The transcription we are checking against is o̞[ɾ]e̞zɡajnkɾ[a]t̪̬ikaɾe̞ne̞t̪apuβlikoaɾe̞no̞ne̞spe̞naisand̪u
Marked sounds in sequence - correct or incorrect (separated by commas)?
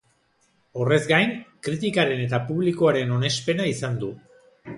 incorrect, incorrect